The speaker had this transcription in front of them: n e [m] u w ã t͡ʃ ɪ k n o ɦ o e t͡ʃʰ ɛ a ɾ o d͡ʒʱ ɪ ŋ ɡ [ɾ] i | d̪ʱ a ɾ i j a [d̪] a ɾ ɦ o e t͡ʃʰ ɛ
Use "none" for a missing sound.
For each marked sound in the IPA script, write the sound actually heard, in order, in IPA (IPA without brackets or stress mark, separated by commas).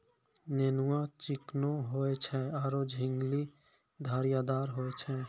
n, l, d̪